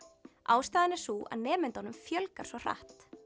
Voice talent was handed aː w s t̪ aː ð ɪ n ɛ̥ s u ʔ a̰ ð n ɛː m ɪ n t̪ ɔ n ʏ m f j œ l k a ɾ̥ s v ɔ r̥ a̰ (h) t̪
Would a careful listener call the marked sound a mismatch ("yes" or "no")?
no